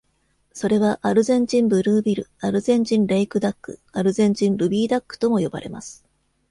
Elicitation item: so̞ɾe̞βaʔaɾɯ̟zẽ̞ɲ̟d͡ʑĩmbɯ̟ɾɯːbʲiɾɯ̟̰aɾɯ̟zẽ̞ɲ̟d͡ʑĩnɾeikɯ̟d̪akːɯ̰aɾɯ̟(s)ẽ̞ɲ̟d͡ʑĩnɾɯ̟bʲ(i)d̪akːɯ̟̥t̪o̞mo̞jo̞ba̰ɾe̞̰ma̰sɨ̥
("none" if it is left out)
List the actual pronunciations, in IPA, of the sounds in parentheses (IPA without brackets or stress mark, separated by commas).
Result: z, iː